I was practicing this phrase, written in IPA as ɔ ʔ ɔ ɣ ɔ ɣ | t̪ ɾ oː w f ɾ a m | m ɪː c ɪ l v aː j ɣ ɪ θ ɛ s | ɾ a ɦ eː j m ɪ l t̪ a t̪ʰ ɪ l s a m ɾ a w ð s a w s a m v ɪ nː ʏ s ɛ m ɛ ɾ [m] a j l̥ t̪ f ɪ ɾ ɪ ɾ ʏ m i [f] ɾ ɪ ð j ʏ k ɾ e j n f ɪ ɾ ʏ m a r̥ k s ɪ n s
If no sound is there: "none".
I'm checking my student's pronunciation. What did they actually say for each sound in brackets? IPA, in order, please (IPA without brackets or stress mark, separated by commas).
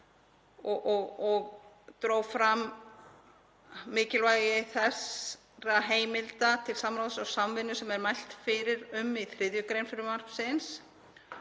m, θ